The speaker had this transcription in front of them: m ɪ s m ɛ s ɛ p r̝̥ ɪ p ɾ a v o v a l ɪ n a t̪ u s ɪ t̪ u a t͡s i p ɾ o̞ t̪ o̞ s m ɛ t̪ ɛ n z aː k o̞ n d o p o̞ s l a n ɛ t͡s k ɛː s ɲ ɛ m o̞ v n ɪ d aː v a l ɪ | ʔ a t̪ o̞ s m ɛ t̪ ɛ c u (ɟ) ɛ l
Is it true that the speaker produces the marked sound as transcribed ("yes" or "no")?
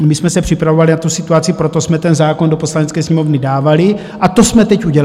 yes